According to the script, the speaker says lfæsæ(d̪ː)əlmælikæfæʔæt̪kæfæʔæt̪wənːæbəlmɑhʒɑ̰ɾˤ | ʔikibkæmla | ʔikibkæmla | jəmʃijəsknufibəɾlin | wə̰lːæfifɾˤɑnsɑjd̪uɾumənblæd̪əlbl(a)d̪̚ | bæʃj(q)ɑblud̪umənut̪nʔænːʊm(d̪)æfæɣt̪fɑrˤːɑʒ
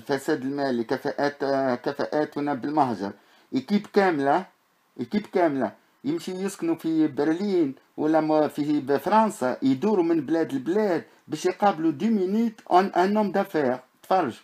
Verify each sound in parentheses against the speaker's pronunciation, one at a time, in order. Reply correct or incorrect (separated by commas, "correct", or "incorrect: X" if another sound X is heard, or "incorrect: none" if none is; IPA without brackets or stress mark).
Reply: incorrect: d̪, incorrect: æ, correct, correct